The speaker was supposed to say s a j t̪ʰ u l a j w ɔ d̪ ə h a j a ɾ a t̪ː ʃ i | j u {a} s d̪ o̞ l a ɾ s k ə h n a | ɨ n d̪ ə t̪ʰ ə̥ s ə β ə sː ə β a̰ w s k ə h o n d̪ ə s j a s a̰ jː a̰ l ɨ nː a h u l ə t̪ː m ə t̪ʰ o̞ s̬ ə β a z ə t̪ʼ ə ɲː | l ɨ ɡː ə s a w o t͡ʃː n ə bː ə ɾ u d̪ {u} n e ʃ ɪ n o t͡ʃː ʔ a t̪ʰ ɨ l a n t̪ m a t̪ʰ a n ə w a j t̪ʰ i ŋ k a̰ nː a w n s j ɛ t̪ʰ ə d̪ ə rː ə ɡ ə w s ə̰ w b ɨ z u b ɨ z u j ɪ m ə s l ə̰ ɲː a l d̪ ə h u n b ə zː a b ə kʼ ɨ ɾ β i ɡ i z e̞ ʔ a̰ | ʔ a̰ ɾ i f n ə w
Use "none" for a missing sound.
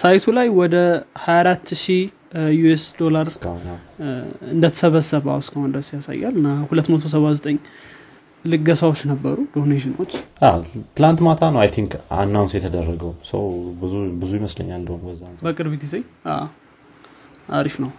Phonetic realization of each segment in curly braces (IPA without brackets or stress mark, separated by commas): e, o